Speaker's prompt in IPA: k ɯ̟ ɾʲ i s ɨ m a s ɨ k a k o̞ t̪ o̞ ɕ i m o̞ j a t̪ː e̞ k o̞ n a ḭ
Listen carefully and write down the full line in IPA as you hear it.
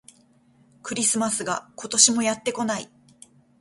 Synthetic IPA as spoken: k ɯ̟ ɾʲ i s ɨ m a s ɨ ɡ a k o̞ t̪ o̞ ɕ i m o̞ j a t̪ː e̞ k o̞ n a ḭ